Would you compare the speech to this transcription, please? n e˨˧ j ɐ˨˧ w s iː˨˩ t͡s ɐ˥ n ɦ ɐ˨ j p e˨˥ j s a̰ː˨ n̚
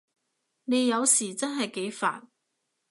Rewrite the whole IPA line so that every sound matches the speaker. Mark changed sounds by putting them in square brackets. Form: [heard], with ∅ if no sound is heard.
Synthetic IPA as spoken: n e˨˧ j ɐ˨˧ w s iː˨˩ t͡s ɐ˥ n ɦ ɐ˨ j [k] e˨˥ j [f] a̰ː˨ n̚